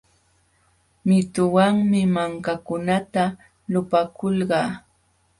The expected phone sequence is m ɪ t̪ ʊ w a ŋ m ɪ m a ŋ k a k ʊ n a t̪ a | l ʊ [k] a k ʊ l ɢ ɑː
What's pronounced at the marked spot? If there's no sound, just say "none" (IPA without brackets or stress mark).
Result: p